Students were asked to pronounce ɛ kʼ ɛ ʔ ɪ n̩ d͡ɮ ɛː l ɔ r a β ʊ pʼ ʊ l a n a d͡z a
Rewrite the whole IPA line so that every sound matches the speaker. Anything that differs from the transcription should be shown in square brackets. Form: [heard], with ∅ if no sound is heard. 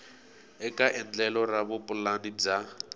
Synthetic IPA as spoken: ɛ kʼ [a] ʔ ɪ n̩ d͡ɮ [ɛ] l ɔ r a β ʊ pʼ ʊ l a n [i] d͡z a